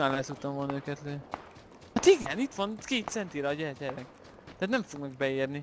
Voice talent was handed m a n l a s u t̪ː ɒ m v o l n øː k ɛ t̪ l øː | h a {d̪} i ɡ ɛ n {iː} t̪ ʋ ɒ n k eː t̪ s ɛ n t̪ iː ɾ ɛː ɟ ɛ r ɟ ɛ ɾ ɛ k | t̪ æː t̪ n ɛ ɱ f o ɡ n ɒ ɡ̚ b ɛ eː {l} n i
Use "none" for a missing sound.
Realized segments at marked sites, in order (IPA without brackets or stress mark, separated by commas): t̪, i, r